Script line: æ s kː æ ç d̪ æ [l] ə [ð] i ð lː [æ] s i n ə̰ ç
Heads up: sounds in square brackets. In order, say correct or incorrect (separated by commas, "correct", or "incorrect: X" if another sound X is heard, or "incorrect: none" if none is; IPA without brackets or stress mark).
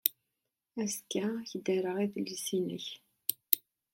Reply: incorrect: ɾ, incorrect: ʁ, incorrect: i